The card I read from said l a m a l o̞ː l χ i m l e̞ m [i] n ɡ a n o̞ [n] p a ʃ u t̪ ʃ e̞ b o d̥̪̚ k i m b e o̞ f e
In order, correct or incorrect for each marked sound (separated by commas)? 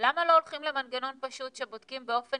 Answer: incorrect, correct